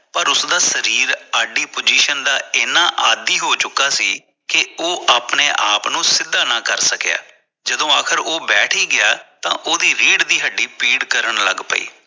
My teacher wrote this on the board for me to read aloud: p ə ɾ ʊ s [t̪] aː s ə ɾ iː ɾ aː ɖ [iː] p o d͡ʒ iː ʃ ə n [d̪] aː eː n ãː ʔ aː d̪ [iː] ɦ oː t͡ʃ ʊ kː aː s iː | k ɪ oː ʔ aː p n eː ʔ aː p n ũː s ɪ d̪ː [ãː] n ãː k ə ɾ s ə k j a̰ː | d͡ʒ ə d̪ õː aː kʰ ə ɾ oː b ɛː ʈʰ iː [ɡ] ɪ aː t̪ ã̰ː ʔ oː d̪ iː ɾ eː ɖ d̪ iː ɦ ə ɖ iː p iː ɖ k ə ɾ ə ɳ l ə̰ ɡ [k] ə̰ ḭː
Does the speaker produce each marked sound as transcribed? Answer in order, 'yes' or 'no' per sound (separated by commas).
no, yes, yes, yes, no, yes, no